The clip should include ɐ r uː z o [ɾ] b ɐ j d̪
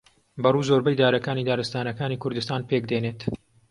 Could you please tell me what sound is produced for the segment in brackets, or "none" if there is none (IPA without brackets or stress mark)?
ɾ